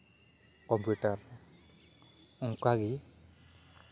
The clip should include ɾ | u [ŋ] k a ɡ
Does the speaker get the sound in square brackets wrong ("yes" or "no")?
no